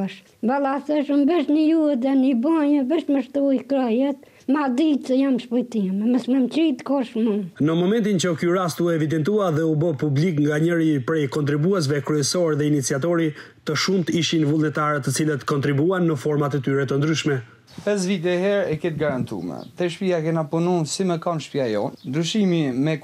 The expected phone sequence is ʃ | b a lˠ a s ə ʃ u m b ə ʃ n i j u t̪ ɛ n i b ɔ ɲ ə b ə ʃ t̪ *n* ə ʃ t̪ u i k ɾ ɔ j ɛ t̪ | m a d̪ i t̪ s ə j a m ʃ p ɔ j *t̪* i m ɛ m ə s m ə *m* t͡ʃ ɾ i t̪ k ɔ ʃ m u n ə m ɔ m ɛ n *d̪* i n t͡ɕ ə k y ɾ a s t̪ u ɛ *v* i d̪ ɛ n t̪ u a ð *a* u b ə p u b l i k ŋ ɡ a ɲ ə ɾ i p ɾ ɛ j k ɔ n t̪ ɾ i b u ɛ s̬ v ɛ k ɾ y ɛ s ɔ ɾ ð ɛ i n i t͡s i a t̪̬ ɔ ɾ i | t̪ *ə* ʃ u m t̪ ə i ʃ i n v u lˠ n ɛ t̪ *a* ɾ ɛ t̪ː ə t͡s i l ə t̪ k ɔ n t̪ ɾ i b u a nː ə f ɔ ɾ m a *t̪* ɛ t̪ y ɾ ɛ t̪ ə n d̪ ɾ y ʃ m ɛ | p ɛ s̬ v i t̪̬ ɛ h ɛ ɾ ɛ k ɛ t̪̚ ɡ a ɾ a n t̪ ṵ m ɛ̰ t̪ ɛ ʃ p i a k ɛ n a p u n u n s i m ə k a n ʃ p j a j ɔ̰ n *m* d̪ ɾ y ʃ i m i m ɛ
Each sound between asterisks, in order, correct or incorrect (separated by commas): incorrect, correct, correct, incorrect, correct, incorrect, correct, correct, correct, incorrect